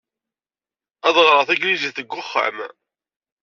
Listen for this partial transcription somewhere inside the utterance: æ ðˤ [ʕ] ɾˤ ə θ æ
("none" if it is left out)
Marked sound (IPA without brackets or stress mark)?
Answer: ʁ